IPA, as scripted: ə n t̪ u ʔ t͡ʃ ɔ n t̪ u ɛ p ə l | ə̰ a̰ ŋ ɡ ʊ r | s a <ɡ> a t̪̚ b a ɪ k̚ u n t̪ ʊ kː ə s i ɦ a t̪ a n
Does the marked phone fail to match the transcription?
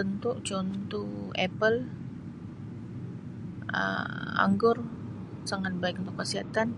yes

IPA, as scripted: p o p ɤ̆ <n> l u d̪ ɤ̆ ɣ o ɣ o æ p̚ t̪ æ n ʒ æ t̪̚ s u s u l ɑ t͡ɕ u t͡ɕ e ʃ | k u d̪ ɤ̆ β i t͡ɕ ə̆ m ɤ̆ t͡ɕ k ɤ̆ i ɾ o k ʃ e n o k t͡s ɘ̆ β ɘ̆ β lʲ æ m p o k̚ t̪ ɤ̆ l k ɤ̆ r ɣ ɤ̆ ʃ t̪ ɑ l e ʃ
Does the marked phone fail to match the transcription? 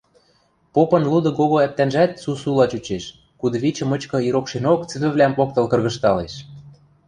no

